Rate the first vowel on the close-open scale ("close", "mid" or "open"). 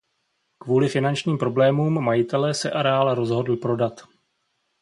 close